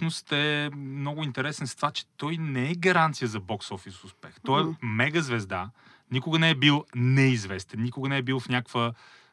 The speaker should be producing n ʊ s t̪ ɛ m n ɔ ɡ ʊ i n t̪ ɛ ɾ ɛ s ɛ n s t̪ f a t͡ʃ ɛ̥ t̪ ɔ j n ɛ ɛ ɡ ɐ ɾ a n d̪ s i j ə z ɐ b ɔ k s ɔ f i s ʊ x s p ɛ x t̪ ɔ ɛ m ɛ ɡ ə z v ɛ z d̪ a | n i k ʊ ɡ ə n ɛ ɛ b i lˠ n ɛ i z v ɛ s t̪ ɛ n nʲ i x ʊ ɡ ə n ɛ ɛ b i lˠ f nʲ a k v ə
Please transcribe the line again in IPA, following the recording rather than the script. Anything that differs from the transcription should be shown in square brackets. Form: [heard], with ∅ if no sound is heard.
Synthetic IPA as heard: n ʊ s t̪ ɛ m n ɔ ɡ ʊ i n t̪ ɛ ɾ ɛ s ɛ n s t̪ [v] a t͡ʃ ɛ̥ t̪ ɔ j n ɛ ɛ ɡ ɐ ɾ a n [t̪] s i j ə z ɐ b ɔ k s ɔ f i s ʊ [∅] s p ɛ x t̪ ɔ ɛ m ɛ ɡ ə z v ɛ z d̪ a | n i k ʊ ɡ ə n ɛ ɛ b i lˠ n ɛ i z v ɛ s t̪ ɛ n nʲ i [k] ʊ ɡ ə n ɛ ɛ b i lˠ f nʲ a k v ə